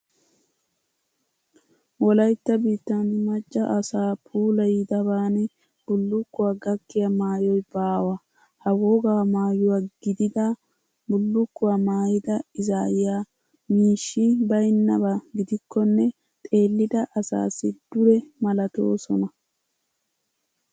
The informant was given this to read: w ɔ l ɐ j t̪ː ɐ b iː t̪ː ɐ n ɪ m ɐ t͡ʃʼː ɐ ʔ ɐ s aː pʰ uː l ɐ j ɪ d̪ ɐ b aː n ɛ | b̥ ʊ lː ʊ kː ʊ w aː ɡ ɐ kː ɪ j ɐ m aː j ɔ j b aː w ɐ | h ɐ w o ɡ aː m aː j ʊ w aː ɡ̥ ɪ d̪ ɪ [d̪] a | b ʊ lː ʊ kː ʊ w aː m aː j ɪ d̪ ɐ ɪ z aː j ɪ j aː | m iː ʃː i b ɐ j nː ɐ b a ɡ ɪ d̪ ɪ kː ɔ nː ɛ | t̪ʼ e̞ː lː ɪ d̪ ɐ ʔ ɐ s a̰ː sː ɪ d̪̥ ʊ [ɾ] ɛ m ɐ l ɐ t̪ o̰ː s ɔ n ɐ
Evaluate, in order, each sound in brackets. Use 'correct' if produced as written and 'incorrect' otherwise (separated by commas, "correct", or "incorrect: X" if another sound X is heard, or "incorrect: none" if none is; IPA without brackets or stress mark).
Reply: correct, correct